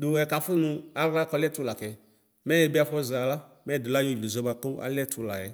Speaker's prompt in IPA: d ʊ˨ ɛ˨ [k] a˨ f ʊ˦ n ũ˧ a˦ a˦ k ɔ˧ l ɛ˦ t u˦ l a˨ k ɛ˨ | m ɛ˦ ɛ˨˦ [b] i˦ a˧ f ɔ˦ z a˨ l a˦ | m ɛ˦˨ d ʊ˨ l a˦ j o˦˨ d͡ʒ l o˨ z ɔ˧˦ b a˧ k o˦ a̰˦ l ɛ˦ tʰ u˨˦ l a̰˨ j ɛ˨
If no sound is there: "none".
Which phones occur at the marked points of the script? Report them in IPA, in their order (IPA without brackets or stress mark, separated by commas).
k, b